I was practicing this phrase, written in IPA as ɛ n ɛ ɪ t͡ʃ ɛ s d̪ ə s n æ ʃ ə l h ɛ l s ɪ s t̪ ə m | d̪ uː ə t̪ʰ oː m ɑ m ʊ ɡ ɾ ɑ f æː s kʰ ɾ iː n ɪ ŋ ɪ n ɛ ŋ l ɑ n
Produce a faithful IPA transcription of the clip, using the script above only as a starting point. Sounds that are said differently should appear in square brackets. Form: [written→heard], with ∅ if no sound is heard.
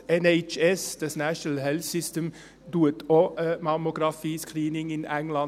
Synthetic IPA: ɛ n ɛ ɪ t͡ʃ ɛ s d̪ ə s n æ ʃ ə l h ɛ l s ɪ s t̪ ə m | d̪ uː ə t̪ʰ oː m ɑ m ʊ ɡ ɾ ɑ f [æː→iː] s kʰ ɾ iː n ɪ ŋ ɪ n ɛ ŋ l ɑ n